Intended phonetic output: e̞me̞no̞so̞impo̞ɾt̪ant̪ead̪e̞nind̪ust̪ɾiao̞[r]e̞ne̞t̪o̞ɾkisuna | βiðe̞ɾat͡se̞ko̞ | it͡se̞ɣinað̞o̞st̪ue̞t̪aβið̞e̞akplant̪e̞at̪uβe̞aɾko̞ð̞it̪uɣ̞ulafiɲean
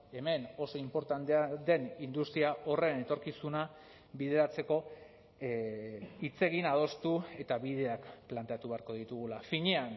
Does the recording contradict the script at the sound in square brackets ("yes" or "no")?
no